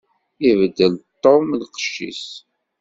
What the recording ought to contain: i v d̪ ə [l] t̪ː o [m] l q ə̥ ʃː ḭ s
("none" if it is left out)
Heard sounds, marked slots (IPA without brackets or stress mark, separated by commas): l, m